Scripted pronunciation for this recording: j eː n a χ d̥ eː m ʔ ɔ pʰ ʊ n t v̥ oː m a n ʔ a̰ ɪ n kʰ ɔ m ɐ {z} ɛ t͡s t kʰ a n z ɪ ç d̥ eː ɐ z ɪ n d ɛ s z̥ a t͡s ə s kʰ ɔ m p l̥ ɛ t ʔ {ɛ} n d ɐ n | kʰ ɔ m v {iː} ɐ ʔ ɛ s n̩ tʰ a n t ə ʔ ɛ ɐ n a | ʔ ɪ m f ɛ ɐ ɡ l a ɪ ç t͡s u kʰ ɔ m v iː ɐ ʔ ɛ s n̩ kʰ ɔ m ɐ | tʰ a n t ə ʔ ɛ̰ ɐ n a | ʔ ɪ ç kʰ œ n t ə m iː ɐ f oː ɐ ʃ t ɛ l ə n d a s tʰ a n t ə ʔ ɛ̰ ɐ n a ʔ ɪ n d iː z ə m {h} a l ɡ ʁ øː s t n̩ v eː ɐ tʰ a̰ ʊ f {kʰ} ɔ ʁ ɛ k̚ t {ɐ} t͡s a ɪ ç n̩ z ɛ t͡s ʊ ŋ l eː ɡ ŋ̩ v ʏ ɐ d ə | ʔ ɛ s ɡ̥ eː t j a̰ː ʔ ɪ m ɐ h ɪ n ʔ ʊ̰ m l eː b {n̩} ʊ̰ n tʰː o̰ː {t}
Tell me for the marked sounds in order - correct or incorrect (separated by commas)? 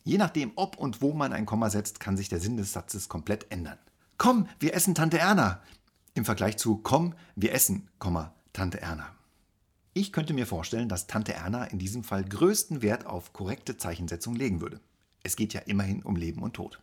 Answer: correct, correct, correct, incorrect, correct, incorrect, incorrect, correct